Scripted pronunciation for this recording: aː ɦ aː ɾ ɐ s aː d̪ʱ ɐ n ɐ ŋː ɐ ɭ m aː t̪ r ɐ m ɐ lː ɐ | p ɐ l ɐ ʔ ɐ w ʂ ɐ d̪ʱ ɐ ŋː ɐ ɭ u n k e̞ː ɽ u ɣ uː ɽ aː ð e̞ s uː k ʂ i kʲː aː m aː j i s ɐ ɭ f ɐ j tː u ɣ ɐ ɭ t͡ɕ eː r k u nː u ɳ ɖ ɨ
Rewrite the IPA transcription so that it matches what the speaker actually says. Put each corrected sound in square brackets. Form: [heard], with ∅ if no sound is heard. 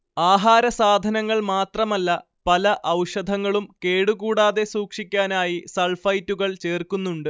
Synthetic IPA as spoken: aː ɦ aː ɾ ɐ s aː d̪ʱ ɐ n ɐ ŋː ɐ ɭ m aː t̪ r ɐ m ɐ lː ɐ | p ɐ l ɐ ʔ ɐ w ʂ ɐ d̪ʱ ɐ ŋː ɐ ɭ u [m] k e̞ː ɽ u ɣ uː ɽ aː ð e̞ s uː k ʂ i kʲː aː [n] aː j i s ɐ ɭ f ɐ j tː u ɣ ɐ ɭ t͡ɕ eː r k u nː u ɳ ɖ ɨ